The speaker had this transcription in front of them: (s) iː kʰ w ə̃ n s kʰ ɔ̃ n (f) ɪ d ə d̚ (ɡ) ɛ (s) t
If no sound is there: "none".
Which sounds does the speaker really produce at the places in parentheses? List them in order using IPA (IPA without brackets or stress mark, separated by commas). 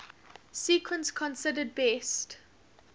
s, s, b, s